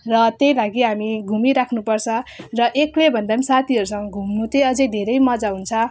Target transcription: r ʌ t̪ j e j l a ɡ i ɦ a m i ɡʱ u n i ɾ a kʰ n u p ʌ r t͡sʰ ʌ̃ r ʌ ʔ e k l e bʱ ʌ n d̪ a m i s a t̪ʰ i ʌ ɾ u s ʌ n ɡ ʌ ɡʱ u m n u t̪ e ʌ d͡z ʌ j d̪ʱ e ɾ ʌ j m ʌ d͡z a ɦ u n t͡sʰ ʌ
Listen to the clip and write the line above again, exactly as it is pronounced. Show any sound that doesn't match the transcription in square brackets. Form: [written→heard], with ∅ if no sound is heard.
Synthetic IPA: r ʌ t̪ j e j l a ɡ i ɦ a m i ɡʱ u [n→m] i ɾ a kʰ n u p ʌ r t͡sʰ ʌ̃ r ʌ ʔ e k l e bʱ ʌ n d̪ a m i s a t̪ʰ i ʌ ɾ u s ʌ [n→ŋ] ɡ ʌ ɡʱ u m n u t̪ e ʌ d͡z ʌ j d̪ʱ e ɾ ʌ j m ʌ d͡z a ɦ u n t͡sʰ ʌ